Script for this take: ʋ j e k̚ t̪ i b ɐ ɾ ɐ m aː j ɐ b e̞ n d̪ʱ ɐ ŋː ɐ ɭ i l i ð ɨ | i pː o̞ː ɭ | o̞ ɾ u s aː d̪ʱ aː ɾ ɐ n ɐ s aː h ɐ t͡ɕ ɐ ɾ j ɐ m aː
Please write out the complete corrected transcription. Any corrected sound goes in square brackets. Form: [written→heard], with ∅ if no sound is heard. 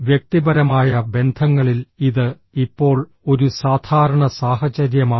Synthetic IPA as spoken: ʋ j e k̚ t̪ i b ɐ ɾ ɐ m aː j ɐ b e̞ n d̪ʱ ɐ ŋː ɐ ɭ i l i ð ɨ | i pː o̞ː ɭ | o̞ ɾ u s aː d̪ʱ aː ɾ ɐ [n→ɳ] ɐ s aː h ɐ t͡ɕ ɐ ɾ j ɐ m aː